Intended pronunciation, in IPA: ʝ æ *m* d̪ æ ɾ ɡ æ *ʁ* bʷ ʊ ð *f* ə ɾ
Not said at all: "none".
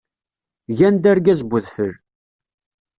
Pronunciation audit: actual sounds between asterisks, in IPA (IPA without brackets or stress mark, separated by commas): n, z, f